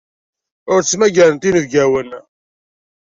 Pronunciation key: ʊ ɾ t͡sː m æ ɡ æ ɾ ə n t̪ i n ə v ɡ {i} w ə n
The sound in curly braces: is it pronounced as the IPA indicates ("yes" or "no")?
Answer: no